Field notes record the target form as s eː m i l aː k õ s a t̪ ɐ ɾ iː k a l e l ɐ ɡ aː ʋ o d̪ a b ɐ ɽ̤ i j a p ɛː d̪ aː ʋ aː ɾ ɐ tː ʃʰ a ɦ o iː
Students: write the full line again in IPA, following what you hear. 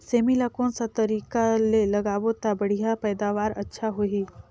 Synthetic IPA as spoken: s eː m i l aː k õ s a t̪ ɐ ɾ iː k a l e l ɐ ɡ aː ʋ o t̪ a b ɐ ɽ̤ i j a p ɛː d̪ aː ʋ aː ɾ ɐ tː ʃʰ a ɦ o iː

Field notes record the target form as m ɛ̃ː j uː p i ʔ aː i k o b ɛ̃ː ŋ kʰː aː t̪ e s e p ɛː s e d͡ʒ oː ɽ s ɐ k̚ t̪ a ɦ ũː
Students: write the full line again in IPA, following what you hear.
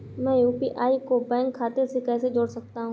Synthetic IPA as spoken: m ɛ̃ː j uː p i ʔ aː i k o b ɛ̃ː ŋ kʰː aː t̪ e s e k ɛː s e d͡ʒ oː ɽ s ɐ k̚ t̪ a ɦ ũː

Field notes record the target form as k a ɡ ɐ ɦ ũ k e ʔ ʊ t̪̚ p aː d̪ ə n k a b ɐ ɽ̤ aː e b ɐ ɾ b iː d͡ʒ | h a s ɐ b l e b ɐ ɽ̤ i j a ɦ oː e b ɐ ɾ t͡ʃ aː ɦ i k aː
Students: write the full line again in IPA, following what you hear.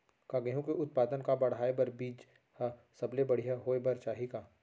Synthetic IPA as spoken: k a ɡ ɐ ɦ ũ k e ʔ ʊ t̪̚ p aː d̪ ə n k a b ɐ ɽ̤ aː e b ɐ ɾ b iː d͡ʒ | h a s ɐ b l e b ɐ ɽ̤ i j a ɦ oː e b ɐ ɾ t͡ʃ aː ɦ i k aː

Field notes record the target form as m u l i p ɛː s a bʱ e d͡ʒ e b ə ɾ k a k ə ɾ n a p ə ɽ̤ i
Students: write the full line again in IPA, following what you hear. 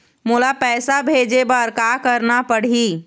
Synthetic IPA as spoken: m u l a p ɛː s a bʱ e d͡ʒ e b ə ɾ k a k ə ɾ n a p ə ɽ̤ i

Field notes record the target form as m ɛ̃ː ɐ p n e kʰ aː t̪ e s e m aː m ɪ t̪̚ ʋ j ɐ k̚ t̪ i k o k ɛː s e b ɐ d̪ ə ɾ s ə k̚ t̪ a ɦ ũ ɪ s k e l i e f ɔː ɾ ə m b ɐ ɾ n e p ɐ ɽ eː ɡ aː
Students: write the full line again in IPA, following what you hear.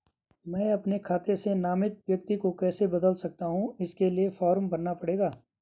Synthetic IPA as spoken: m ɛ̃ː ɐ p n e kʰ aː t̪ e s e n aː m ɪ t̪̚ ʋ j ɐ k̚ t̪ i k o k ɛː s e b ɐ d̪ ə l s ɐ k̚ t̪ a ɦ ũ ɪ s k e l i e f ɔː ɾ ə m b ɐ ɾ n a p ɐ ɽ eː ɡ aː

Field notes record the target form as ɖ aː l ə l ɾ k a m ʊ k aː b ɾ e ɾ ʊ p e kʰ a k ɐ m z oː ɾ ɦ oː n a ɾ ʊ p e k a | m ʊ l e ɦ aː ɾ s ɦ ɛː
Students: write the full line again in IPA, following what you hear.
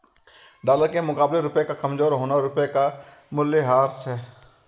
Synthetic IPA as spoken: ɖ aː l ə ɾ k e m ʊ k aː b l e ɾ ʊ p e k a k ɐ m z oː ɾ ɦ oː n a ɾ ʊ p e k a | m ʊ l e ɦ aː ɾ s ɦ ɛː

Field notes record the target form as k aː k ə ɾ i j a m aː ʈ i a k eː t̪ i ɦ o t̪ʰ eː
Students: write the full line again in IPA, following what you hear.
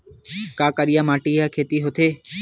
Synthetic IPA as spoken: k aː k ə ɾ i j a m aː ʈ i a kʰ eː t̪ i ɦ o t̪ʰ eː

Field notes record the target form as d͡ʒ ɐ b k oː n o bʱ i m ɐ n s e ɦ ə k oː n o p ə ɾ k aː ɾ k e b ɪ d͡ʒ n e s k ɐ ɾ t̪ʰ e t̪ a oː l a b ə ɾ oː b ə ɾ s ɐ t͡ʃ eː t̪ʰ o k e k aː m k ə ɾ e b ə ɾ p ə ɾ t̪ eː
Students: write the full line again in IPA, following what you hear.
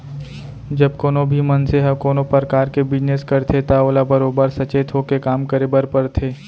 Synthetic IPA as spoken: d͡ʒ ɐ b k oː n o bʱ i m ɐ n s e ɦ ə k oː n o p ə ɾ k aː ɾ k e b ɪ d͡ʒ n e s k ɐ ɾ t̪ʰ e t̪ a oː l a b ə ɾ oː b ə ɾ s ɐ t͡ʃ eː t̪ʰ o k e k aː m k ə ɾ e b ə ɾ p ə ɾ t̪ʰ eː

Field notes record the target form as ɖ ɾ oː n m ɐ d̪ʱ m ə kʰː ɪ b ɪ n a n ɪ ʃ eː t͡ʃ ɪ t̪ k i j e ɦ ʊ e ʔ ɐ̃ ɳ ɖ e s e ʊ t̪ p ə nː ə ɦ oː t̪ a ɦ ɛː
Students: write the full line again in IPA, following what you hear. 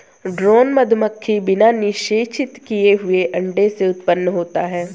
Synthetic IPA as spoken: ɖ ɾ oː n m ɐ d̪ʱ m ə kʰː i b ɪ n a n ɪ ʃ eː t͡ʃ ɪ t̪ k i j e ɦ ʊ e ʔ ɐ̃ ɳ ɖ e s e ʊ t̪ p ə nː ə ɦ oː t̪ a ɦ ɛː

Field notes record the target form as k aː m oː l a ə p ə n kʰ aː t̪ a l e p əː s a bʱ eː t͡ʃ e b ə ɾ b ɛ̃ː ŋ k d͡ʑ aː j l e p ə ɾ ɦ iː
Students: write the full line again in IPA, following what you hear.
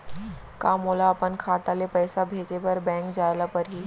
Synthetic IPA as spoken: k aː m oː l a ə p ə n kʰ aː t̪ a l e p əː s a bʱ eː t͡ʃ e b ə ɾ b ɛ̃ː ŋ k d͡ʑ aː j l a p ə ɾ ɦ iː

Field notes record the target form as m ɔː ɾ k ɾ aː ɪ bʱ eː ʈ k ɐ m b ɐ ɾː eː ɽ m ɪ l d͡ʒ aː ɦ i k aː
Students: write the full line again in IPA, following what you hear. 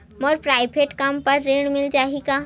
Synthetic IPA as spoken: m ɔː ɾ p ɾ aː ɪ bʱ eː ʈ k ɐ m p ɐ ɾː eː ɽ m ɪ l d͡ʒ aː ɦ i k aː

